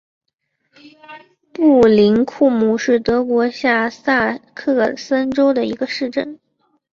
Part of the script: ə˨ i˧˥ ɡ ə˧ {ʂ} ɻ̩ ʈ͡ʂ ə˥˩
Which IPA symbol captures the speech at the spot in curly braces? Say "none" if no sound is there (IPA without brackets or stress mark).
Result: ʂ